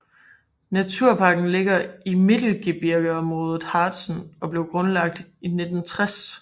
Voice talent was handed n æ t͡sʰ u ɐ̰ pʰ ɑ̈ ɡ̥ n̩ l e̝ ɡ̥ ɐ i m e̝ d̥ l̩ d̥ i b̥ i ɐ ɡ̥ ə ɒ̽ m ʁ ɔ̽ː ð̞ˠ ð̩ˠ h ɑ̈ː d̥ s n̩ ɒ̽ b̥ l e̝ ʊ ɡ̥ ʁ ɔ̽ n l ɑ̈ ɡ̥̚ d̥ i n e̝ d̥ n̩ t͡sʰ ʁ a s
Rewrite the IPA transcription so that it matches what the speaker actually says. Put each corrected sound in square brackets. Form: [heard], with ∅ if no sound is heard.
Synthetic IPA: n æ t͡sʰ u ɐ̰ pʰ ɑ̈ ɡ̥ n̩ l e̝ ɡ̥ ɐ i m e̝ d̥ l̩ [ɡ̥] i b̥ i ɐ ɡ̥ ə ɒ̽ m ʁ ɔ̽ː ð̞ˠ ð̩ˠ h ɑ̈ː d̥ s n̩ ɒ̽ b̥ l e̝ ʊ ɡ̥ ʁ ɔ̽ n l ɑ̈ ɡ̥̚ d̥ i n e̝ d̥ n̩ t͡sʰ ʁ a s